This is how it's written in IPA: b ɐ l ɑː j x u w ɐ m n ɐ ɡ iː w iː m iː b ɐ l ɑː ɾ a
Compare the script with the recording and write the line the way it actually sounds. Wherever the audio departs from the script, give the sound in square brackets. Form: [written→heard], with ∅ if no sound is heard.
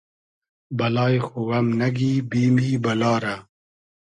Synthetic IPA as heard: b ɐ l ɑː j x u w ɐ m n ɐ ɡ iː [w→b] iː m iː b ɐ l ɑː ɾ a